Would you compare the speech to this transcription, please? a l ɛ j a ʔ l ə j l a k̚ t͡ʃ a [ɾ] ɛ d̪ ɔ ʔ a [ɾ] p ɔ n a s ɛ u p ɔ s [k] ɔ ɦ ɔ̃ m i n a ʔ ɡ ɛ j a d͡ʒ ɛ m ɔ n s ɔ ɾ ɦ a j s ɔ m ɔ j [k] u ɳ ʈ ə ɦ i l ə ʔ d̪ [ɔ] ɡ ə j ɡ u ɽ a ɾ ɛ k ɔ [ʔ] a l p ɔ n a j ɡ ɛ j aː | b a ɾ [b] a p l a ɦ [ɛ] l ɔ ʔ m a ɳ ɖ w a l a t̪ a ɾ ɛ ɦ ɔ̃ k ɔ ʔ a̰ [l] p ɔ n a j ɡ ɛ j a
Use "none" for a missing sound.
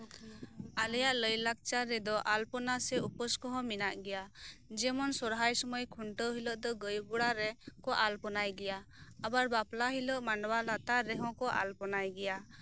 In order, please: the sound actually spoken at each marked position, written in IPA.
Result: ɾ, l, k, kʰ, ɔ, ʔ, b, i, l

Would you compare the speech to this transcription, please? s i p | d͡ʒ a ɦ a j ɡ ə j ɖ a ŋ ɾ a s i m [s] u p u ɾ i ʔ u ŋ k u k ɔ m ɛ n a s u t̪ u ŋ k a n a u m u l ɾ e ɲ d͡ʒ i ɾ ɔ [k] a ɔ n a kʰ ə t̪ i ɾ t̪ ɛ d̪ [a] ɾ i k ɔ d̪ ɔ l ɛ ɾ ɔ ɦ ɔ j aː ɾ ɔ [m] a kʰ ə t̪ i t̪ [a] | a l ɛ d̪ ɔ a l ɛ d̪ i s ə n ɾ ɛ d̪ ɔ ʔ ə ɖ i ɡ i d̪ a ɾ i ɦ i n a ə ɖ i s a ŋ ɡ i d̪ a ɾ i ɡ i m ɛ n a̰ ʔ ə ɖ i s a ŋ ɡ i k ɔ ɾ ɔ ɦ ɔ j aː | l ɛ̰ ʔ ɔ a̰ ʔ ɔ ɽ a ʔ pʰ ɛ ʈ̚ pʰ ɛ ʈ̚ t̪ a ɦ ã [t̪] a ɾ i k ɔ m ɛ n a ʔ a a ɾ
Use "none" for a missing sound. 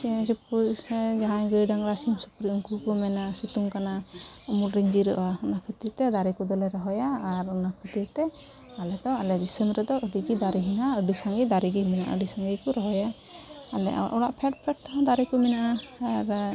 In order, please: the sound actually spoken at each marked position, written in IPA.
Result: s, ʔ, a, n, ɛ, d̪

